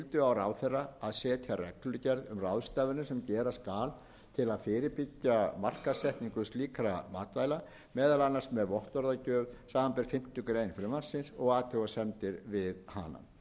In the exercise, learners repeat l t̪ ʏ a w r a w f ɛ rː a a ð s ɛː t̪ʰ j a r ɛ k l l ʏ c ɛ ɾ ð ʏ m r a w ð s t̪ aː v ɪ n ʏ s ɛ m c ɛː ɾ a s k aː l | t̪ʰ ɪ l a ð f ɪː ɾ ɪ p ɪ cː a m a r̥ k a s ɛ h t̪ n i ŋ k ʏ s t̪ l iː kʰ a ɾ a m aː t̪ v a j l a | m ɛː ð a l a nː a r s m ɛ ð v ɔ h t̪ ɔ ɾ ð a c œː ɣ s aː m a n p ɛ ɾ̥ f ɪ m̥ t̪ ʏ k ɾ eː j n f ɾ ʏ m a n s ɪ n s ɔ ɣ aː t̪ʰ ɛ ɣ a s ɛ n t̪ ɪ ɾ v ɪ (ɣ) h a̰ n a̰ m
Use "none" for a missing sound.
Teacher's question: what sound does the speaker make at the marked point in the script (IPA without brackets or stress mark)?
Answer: ð